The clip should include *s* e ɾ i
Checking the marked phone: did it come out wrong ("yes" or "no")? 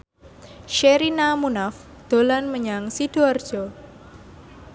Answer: yes